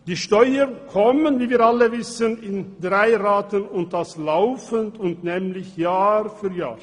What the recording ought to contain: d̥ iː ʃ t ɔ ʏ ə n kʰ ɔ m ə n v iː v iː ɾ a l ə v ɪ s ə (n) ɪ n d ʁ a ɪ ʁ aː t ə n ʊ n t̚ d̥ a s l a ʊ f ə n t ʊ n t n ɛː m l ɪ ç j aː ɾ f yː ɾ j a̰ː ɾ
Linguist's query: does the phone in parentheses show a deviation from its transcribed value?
no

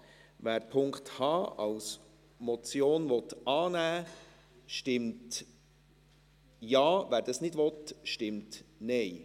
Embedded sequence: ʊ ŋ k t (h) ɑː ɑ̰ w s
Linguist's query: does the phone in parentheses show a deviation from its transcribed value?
no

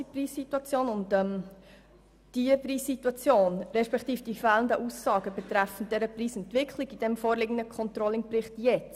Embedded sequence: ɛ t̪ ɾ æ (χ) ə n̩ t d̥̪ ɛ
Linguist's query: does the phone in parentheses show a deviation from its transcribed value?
yes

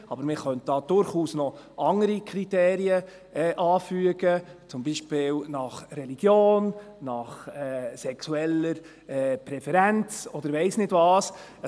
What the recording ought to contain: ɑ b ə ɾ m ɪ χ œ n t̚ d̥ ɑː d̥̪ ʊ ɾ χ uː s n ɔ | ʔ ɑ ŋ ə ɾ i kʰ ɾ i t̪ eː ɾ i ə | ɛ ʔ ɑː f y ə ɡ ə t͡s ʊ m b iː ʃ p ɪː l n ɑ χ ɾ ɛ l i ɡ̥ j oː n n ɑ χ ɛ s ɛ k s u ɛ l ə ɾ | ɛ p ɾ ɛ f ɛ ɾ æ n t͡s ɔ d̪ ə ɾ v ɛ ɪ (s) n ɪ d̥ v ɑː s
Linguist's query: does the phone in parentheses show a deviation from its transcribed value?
no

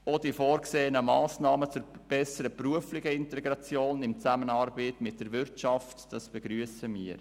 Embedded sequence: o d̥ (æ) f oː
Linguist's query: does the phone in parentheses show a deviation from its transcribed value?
yes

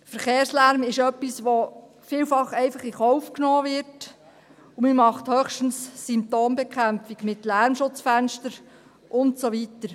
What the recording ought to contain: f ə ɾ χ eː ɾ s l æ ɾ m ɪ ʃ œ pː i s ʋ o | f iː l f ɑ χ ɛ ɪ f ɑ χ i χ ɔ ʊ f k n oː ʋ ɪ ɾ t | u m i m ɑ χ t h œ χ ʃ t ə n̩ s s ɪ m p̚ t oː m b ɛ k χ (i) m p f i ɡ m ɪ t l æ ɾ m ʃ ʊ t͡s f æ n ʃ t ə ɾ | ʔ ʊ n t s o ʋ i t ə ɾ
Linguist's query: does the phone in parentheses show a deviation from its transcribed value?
yes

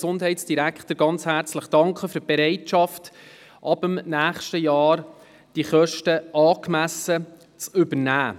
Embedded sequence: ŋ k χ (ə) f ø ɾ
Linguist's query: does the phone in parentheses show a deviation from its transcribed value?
no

